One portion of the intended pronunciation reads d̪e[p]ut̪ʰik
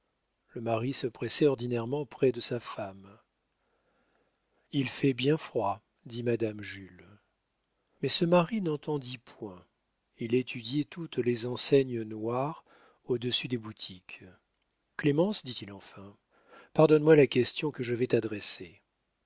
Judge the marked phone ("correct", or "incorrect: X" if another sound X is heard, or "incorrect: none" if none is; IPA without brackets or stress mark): incorrect: b